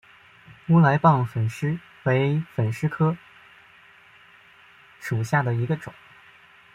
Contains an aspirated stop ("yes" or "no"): yes